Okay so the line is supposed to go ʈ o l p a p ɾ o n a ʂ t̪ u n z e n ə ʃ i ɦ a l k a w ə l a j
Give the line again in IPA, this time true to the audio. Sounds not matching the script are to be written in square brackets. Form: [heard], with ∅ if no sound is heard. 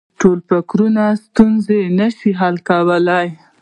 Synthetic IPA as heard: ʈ o l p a [k] ɾ [u] n a [s] t̪ u n z e n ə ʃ i ɦ a l k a w ə l a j